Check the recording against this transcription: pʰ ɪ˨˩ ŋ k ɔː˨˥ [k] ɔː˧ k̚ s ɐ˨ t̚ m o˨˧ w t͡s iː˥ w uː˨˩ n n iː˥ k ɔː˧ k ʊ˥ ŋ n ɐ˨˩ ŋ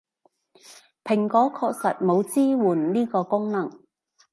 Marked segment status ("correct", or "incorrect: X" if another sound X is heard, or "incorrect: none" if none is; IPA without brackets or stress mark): incorrect: kʰ